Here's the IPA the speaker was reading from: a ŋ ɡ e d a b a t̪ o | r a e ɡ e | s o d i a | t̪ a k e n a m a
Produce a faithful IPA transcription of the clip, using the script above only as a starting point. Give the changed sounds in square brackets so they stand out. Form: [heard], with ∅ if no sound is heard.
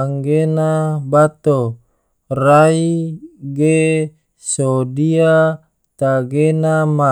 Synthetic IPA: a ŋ ɡ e [n] a b a t̪ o | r a [i] ɡ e | s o d i a | t̪ a [ɡ] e n a m a